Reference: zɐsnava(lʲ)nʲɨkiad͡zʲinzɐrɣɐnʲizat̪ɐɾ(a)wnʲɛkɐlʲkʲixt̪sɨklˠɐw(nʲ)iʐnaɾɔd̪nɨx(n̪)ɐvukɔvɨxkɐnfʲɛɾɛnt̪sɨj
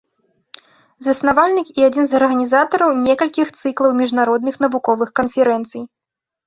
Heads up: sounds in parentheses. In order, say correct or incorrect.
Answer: correct, incorrect: ɐ, incorrect: mʲ, correct

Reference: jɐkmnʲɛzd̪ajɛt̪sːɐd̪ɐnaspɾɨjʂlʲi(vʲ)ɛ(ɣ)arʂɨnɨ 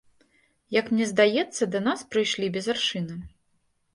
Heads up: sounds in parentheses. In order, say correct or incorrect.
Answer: incorrect: bʲ, incorrect: z

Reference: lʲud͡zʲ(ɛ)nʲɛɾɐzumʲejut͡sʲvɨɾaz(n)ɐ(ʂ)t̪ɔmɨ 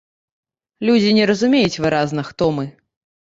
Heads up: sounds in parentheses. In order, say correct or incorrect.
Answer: incorrect: i, correct, incorrect: x

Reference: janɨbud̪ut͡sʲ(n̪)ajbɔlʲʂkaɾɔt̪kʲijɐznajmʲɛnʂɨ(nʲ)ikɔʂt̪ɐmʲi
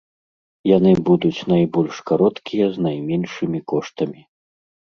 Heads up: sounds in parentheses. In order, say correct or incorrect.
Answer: correct, incorrect: mʲ

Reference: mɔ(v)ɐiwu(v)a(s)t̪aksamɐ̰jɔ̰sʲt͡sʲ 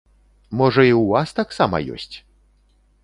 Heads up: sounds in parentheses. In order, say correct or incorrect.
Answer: incorrect: ʐ, correct, correct

